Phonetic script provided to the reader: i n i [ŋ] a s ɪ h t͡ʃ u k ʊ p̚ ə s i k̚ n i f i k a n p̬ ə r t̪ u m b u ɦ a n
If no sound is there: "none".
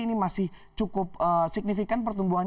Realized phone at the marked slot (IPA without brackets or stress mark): m